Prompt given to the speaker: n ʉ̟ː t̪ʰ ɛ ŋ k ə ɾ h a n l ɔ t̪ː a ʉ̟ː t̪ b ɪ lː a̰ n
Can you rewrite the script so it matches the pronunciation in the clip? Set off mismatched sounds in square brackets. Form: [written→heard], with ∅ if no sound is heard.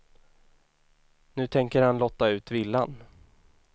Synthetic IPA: n ʉ̟ː t̪ʰ ɛ ŋ k ə ɾ h a n l ɔ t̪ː a ʉ̟ː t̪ [b→v] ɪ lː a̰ n